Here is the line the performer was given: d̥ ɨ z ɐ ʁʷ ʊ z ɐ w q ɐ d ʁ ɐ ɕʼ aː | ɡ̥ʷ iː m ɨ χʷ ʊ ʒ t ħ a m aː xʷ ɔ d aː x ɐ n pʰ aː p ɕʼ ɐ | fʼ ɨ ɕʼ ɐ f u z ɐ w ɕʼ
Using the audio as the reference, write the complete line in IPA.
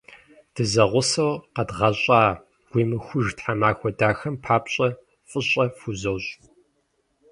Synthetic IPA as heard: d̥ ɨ z ɐ ʁʷ ʊ s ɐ w q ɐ d ʁ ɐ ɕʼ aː | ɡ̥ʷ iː m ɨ xʷ ʊ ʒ t ħ a m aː xʷ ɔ d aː x ɐ m pʰ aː p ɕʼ ɐ | fʼ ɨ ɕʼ ɐ f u z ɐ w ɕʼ